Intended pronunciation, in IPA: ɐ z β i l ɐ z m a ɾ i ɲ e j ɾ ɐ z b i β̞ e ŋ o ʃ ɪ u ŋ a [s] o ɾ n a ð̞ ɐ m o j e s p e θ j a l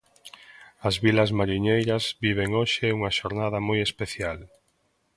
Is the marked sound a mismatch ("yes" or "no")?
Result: yes